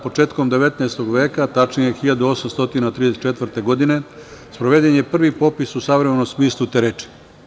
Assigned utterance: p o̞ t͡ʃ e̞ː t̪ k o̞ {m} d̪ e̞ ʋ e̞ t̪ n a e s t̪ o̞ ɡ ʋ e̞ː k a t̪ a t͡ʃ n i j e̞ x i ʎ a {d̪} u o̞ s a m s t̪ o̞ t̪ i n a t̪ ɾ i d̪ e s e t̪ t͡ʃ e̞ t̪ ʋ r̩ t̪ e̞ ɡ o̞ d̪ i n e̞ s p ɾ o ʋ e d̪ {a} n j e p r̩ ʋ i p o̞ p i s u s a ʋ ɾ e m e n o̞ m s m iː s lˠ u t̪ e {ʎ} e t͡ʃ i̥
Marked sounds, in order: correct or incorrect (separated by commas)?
correct, correct, incorrect, incorrect